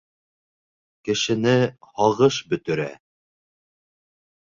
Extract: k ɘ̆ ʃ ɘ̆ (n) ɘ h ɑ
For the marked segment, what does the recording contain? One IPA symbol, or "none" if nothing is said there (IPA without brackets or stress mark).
n